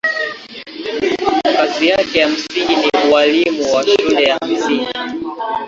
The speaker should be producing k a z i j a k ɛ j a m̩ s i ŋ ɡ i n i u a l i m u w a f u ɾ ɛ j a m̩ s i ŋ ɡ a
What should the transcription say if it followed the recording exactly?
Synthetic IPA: k a z i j a k ɛ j a m̩ s i ŋ ɡ i n i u a l i m u w a ʃ u l ɛ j a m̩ s i ŋ ɡ i

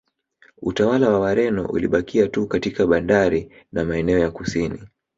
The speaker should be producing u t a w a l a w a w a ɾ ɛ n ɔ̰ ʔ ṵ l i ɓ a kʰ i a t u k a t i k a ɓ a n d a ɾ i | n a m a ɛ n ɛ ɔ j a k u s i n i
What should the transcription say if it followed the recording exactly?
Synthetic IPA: u t a w a l a w a w a ɾ ɛ n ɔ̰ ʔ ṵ l i ɓ a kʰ i a t u k a t i k a ɓ a n d a ɾ i | n a m a ɛ n ɛ ɔ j a k u s i n i

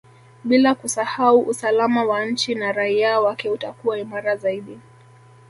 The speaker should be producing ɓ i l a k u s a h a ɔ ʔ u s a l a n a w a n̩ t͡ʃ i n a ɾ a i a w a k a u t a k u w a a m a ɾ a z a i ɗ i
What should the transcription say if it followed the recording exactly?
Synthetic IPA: ɓ i l a k u s a h a u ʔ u s a l a m a w a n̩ t͡ʃ i n a ɾ a i a w a k ɛ u t a k u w a i m a ɾ a z a i ɗ i

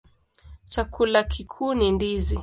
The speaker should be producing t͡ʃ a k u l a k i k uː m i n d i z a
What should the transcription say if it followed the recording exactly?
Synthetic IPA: t͡ʃ a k u l a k i kʰ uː n i n d i z i

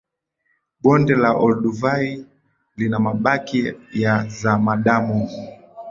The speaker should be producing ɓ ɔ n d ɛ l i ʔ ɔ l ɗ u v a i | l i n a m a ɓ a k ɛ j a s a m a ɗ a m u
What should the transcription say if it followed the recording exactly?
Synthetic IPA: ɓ ɔ n d ɛ l a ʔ ɔ l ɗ u v a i | l i n a m a ɓ a k i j a z a m a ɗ a m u

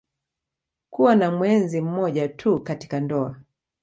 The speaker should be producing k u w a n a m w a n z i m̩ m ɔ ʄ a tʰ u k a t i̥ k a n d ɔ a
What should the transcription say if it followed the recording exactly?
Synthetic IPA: k u w a n a m w ɛ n z i m̩ m ɔ ʄ a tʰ u k a t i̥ k a n d ɔ a

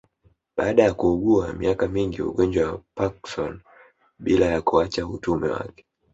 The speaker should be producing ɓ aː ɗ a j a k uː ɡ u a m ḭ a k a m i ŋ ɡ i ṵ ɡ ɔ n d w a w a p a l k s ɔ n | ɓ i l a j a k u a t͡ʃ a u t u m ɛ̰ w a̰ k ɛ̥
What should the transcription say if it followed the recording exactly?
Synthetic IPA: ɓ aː ɗ a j a k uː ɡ u a m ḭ a k a m i ŋ ɡ i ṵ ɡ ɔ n d͡ʒ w a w a p a k s ɔ n | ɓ i l a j a k u a t͡ʃ a u t u m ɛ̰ w a̰ k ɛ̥

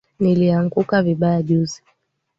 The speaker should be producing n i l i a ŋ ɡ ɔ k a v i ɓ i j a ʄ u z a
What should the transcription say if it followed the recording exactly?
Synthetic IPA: n i l i a ŋ ɡ u k a v i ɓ a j a ʄ u z i

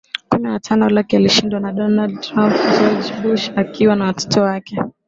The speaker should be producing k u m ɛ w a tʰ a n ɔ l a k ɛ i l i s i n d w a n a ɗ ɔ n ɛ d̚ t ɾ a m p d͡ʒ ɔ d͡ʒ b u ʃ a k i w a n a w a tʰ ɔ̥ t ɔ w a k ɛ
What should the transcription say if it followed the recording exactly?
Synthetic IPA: k u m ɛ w a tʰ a n ɔ l a k ɛ a l i ʃ i n d w a n a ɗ ɔ n a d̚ t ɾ a m p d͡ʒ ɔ d͡ʒ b u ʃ a k i w a n a w a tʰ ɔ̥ t ɔ w a k ɛ

